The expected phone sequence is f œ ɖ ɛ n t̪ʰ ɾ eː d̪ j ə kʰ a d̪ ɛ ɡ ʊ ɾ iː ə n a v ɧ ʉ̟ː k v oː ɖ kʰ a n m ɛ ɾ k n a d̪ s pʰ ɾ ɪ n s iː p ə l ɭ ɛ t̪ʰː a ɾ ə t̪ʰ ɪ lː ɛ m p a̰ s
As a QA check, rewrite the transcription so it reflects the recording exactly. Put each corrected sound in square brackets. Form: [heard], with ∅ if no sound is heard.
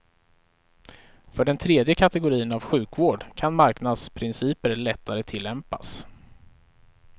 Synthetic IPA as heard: f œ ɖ ɛ n t̪ʰ ɾ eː d̪ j ə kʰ a [t̪] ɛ ɡ ʊ ɾ iː ə n a v ɧ ʉ̟ː k v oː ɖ kʰ a n m [a] ɾ k n a d̪ s pʰ ɾ ɪ n s iː p ə [ɾ] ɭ ɛ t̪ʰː a ɾ ə t̪ʰ ɪ lː ɛ m p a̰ s